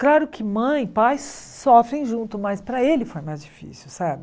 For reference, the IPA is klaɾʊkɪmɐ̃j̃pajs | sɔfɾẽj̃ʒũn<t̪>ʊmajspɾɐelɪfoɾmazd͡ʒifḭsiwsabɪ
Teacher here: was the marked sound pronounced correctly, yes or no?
yes